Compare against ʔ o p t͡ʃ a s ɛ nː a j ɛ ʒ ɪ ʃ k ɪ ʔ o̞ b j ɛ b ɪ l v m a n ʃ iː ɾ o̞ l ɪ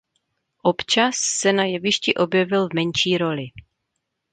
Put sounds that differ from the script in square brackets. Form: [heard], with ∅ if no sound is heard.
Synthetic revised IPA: ʔ o p t͡ʃ a [sː] ɛ [n] a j ɛ [v] ɪ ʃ [c] ɪ ʔ o̞ b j ɛ [v] ɪ l v m [ɛ] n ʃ iː ɾ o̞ l ɪ